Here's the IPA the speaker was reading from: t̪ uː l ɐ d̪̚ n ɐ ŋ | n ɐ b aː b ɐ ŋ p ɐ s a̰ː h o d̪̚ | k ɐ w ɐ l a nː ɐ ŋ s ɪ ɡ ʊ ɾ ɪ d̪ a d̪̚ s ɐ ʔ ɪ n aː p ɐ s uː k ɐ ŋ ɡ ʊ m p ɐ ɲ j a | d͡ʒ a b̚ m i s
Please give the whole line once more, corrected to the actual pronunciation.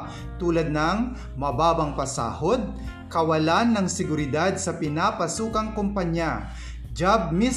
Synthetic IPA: t̪ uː l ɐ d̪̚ n ɐ ŋ | m ɐ b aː b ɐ ŋ p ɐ s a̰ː h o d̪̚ | k ɐ w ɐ l a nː ɐ ŋ s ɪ ɡ ʊ ɾ ɪ d̪ a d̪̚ s ɐ p ɪ n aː p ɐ s uː k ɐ ŋ k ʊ m p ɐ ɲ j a | d͡ʒ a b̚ m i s